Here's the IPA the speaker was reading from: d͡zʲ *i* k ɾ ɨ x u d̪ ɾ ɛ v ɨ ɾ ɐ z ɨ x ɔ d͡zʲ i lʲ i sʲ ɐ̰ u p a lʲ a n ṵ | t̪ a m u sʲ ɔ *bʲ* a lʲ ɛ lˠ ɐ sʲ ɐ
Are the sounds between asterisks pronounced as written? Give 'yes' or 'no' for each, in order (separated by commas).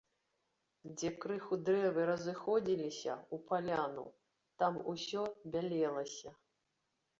no, yes